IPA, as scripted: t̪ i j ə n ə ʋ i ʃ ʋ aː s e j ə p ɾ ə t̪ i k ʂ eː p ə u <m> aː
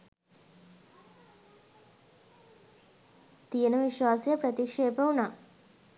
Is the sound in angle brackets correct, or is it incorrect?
incorrect